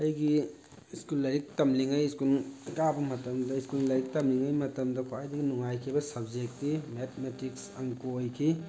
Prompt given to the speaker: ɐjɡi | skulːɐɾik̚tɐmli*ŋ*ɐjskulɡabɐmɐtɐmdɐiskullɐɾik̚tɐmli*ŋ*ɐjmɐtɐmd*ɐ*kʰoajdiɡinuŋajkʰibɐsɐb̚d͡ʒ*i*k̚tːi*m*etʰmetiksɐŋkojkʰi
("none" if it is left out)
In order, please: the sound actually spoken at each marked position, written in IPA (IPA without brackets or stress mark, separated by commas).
ŋ, ŋ, ɐ, e, m